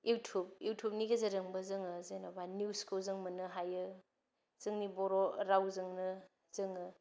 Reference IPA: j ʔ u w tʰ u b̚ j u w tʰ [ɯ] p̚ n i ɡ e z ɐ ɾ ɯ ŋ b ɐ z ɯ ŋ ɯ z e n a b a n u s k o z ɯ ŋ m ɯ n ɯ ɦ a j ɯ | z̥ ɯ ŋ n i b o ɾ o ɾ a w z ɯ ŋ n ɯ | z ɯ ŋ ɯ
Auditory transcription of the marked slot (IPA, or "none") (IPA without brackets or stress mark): u